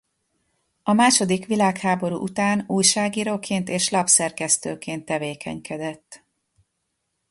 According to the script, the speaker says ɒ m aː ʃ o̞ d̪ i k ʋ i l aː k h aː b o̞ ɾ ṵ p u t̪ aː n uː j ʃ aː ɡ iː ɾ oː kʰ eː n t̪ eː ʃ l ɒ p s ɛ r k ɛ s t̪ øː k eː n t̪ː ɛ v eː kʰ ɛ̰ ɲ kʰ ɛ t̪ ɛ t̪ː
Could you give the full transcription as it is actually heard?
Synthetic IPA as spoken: ɒ m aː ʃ o̞ d̪ i k ʋ i l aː k h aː b o̞ ɾ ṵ ʔ u t̪ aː n uː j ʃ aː ɡ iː ɾ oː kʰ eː n t̪ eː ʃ l ɒ p s ɛ r k ɛ s t̪ øː k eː n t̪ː ɛ v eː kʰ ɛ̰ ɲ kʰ ɛ d̪ ɛ t̪ː